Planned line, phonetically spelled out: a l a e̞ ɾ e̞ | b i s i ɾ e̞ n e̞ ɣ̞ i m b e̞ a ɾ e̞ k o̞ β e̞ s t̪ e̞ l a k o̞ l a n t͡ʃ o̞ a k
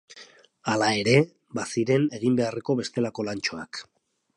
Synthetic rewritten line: a l a e̞ ɾ e̞ | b a s i ɾ e̞ n e̞ ɣ̞ i m b e̞ a r e̞ k o̞ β e̞ s t̪ e̞ l a k o̞ l a n t͡ʃ o̞ a k